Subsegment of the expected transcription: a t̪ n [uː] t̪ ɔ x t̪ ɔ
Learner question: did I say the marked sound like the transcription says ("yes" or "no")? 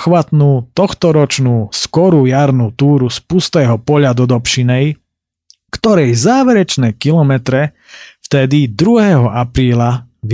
yes